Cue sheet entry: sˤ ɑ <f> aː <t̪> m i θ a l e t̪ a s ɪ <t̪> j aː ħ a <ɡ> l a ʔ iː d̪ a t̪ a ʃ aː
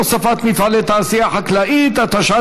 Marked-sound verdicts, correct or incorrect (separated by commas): correct, correct, incorrect, incorrect